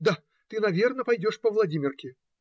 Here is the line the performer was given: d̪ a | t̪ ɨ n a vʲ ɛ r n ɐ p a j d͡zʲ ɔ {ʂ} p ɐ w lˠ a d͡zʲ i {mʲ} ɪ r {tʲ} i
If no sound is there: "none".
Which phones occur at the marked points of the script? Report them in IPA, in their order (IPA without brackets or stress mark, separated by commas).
ʂ, mʲ, kʲ